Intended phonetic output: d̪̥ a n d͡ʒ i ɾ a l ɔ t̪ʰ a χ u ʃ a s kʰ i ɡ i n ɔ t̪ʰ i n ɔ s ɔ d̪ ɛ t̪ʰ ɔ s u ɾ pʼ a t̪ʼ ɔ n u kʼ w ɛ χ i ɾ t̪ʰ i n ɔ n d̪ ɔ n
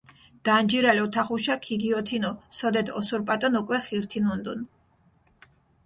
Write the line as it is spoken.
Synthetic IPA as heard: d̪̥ a n d͡ʒ i ɾ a l ɔ t̪ʰ a χ u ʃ a kʰ i ɡ i ɔ t̪ʰ i n ɔ s ɔ d̪ ɛ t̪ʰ ɔ s u ɾ pʼ a t̪ʼ ɔ n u kʼ w ɛ χ i ɾ t̪ʰ i n ɔ n d̪ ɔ n